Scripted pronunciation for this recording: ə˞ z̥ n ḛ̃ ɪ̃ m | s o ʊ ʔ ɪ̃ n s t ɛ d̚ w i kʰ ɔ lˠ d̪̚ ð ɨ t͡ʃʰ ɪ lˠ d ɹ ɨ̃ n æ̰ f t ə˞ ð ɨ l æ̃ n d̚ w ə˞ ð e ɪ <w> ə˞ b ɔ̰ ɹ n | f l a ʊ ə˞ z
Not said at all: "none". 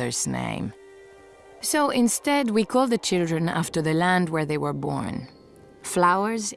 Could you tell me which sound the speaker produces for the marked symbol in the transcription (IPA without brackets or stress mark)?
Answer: w